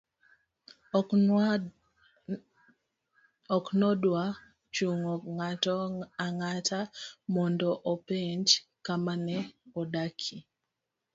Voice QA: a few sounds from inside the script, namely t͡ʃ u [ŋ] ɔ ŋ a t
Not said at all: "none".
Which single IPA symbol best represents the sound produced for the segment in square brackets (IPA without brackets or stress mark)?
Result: ŋ